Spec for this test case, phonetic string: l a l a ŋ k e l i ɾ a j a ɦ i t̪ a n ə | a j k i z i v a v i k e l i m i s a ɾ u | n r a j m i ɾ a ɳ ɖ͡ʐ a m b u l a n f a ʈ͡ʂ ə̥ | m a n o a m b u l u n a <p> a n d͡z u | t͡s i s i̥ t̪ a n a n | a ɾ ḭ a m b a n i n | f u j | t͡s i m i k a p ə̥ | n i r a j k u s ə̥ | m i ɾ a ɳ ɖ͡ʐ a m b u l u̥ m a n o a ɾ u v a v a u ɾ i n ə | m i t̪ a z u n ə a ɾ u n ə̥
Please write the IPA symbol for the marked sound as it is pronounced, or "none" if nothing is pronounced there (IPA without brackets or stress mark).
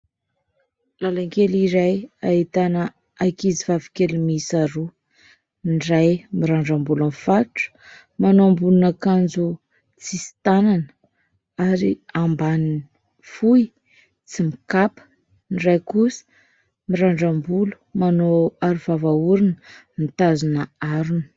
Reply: k